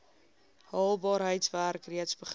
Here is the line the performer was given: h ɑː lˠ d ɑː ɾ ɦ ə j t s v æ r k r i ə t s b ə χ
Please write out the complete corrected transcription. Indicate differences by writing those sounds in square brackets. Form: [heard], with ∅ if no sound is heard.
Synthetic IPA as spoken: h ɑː lˠ [b] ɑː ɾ ɦ ə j t s v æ r k r i ə t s b ə χ